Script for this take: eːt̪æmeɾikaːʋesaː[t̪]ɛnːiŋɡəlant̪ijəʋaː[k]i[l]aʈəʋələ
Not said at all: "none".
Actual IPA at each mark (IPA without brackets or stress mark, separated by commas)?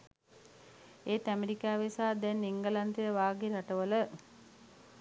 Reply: d̪, ɡ, ɾ